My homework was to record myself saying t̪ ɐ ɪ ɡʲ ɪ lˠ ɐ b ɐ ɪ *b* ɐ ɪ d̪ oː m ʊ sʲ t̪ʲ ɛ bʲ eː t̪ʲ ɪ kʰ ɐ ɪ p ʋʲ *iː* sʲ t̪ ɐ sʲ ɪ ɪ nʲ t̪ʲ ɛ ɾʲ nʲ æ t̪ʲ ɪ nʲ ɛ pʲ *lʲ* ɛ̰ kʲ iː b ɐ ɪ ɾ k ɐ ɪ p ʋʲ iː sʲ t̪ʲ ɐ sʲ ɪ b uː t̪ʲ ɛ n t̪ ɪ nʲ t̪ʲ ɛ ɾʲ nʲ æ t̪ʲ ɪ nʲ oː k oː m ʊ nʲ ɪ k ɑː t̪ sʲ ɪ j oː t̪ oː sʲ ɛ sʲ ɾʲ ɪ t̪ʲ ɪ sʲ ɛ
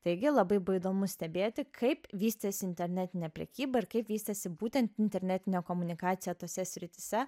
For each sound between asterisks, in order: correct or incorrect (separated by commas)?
correct, correct, incorrect